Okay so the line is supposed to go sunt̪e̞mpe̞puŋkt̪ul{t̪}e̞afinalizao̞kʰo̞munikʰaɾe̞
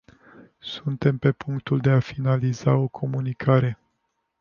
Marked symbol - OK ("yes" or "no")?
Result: no